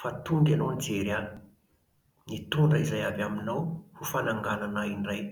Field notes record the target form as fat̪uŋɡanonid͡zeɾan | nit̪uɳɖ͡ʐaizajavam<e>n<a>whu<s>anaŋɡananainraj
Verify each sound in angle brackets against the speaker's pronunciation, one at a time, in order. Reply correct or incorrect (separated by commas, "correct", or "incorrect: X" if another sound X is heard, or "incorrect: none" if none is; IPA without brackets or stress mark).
incorrect: i, correct, incorrect: f